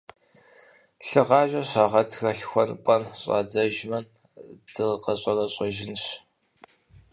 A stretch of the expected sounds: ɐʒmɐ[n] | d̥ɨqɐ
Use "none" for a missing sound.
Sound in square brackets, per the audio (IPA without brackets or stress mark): n